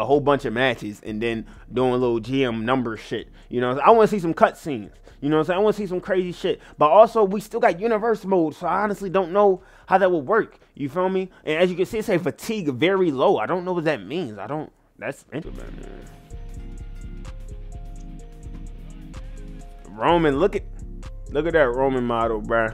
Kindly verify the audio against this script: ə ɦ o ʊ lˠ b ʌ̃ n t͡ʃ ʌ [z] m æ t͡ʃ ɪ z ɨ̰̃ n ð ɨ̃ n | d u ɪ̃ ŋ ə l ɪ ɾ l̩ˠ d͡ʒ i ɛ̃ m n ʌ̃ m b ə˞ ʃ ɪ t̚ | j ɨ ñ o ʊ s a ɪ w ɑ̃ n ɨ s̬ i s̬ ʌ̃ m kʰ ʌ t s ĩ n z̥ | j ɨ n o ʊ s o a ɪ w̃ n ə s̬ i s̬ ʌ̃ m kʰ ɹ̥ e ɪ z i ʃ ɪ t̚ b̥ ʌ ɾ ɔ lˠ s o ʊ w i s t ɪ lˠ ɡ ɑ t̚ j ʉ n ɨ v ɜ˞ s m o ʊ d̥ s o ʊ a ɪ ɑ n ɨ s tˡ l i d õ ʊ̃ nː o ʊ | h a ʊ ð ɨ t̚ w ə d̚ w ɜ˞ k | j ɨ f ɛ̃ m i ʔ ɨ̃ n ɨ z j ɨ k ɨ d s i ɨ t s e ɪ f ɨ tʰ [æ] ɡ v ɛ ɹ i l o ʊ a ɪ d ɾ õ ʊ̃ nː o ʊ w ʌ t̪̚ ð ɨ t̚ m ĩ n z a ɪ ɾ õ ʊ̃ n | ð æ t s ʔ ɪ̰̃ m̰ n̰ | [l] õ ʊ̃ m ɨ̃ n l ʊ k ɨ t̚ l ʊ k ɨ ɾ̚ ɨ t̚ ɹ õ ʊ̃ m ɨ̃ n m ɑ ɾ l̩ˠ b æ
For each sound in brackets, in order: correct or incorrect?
incorrect, incorrect, incorrect

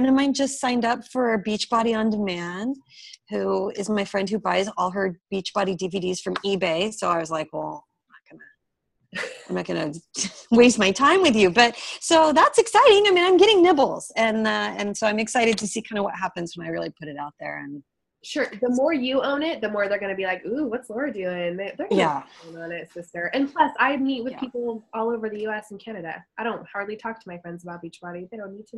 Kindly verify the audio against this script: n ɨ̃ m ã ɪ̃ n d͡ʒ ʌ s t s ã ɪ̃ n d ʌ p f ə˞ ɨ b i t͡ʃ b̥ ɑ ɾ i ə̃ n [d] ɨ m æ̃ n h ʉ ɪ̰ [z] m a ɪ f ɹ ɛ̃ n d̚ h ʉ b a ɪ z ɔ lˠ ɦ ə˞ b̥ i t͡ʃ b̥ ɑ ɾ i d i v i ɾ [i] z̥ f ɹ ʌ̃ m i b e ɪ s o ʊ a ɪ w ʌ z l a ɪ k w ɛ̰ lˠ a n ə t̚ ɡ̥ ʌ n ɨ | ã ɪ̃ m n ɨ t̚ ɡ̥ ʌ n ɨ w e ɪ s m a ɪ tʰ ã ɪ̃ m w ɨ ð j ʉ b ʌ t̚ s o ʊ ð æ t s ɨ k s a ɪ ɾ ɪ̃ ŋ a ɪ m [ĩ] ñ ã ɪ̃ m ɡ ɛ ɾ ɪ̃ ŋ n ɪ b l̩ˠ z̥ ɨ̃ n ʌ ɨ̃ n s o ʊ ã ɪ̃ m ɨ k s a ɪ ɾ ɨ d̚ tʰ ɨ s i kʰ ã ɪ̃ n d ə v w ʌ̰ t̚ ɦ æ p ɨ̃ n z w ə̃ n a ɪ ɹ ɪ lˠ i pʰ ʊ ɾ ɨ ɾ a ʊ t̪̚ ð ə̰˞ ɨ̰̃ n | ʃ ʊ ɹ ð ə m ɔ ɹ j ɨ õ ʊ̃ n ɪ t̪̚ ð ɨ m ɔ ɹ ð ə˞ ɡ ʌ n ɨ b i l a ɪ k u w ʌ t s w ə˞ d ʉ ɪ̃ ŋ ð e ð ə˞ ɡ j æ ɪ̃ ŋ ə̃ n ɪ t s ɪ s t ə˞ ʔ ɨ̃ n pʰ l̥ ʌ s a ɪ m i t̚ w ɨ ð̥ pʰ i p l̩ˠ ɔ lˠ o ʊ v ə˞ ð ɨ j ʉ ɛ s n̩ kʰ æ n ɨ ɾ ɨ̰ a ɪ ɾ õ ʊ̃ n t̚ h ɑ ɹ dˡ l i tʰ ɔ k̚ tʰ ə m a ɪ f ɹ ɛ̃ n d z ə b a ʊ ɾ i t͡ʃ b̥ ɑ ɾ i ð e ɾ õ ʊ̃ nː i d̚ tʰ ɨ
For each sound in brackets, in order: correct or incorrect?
correct, correct, correct, correct

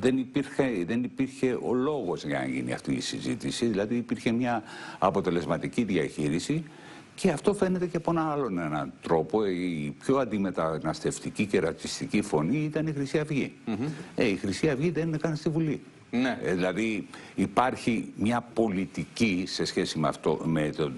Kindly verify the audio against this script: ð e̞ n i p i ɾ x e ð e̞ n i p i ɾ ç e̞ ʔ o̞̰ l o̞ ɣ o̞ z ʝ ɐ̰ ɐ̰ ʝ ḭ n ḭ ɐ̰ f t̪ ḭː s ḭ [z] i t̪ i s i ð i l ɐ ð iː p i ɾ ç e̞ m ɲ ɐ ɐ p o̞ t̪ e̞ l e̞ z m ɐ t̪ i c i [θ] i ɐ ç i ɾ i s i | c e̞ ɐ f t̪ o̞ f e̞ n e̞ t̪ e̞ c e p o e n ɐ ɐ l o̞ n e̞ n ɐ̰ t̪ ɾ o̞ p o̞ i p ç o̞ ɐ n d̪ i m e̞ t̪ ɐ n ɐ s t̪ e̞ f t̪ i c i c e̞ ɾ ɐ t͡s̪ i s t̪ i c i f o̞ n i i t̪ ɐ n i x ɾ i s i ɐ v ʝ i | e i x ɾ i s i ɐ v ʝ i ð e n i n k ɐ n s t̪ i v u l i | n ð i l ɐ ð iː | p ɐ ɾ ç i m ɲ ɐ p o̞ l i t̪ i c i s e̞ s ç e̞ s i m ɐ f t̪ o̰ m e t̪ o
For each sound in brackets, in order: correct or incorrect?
correct, incorrect

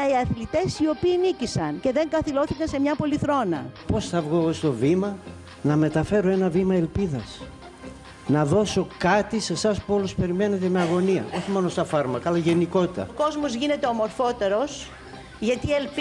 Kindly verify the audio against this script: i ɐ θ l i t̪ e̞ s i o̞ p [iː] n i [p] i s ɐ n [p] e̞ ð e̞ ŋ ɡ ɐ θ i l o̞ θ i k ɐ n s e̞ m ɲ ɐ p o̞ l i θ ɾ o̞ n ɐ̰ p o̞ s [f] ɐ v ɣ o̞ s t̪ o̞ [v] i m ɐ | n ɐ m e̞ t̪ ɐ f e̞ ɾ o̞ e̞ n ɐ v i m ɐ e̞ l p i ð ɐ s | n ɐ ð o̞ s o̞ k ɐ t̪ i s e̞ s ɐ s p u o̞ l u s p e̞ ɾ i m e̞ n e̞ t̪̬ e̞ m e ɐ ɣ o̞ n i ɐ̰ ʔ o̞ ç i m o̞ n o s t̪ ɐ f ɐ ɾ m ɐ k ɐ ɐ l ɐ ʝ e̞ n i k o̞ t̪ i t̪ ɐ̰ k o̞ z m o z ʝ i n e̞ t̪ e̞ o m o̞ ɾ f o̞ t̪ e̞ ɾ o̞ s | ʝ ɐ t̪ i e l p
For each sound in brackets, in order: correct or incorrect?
correct, incorrect, incorrect, incorrect, correct

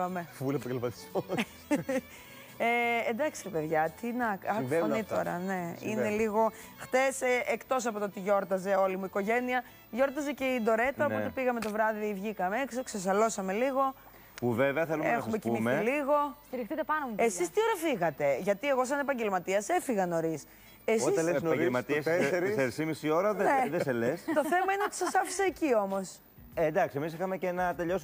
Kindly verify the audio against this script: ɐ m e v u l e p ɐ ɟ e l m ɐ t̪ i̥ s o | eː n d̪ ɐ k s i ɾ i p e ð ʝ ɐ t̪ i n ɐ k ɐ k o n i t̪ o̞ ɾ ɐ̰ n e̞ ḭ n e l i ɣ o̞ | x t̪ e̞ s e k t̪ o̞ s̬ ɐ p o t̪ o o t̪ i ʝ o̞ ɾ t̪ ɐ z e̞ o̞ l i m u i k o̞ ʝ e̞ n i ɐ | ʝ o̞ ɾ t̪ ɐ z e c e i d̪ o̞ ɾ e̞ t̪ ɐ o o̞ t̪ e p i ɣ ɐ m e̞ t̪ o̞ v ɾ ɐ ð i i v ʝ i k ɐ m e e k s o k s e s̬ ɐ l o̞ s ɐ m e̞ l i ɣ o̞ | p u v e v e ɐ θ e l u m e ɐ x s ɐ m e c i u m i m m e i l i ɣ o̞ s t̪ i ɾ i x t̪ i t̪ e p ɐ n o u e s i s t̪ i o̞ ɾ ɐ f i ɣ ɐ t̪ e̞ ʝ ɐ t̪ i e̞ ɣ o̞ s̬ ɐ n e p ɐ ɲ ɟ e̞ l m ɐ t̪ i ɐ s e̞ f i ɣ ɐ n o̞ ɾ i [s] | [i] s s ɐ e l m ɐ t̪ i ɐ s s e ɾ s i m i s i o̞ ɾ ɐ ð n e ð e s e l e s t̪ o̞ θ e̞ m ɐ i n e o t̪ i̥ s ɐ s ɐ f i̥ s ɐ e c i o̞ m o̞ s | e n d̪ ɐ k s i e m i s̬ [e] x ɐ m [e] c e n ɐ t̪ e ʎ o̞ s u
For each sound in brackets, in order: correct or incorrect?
correct, incorrect, incorrect, correct

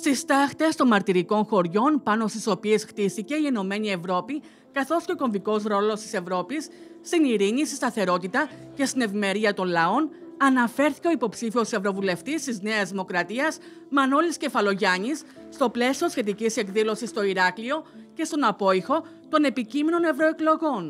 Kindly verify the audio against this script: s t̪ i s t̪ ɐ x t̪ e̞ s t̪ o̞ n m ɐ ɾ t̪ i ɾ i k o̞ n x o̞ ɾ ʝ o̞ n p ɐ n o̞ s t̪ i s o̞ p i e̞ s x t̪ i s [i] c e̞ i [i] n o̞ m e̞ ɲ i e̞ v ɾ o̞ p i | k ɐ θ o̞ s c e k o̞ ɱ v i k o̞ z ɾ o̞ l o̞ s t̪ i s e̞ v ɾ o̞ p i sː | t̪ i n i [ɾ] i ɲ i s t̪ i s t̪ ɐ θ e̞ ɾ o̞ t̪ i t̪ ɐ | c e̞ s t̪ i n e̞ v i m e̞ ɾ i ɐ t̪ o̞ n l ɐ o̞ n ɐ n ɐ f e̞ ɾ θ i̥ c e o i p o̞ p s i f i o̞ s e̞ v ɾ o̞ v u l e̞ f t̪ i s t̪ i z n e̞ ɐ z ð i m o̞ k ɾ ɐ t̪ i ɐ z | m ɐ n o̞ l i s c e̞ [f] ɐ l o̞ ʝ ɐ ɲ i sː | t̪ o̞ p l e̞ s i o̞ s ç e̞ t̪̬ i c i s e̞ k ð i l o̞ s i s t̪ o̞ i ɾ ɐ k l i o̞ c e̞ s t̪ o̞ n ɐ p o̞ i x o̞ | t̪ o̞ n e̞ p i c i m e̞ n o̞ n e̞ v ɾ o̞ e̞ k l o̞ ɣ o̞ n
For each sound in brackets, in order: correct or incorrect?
correct, incorrect, correct, correct

